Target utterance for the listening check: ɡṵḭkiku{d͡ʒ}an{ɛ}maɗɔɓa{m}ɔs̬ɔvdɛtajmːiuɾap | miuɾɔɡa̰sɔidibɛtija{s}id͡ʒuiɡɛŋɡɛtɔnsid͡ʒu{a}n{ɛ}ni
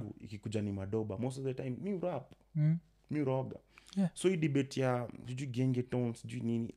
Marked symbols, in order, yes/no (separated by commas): yes, no, yes, yes, no, no